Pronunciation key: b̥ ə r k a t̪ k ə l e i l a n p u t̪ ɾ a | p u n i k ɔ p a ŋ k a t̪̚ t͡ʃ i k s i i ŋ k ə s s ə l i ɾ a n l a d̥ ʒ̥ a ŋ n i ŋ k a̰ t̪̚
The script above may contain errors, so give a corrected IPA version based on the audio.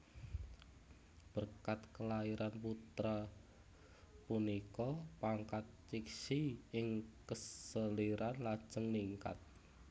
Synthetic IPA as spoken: b̥ ə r k a t̪ k ə l a i ɾ a n p u t̪ ɾ a | p u n i k ɔ p a ŋ k a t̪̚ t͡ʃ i k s i ɪ ŋ k ə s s ə l i ɾ a n l a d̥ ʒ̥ ə ŋ n i ŋ k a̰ t̪̚